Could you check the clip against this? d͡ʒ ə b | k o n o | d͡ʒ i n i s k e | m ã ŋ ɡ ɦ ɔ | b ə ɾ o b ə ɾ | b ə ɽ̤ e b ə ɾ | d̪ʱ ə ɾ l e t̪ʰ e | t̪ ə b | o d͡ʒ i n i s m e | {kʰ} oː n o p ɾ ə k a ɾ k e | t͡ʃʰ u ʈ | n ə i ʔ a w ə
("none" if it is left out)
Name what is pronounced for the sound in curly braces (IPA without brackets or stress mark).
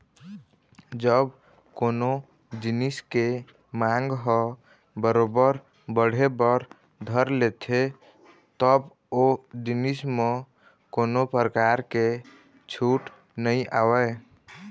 k